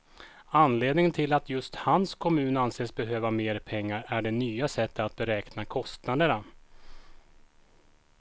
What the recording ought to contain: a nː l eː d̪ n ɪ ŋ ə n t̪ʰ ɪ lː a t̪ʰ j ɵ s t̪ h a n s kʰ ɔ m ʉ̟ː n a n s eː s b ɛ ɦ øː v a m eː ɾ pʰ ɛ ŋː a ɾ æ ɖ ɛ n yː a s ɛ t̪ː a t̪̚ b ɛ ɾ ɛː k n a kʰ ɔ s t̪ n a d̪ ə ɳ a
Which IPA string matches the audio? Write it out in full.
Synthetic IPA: a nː l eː d̪ n ɪ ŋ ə n t̪ʰ ɪ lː a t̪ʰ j ɵ s t̪ h a n s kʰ ɔ m ʉ̟ː n a n s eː s b ɛ ɦ øː v a m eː ɾ pʰ ɛ ŋː a ɾ æ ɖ ɛ n yː a s ɛ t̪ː a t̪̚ b ɛ ɾ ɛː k n a kʰ ɔ s t̪ n a d̪ ə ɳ a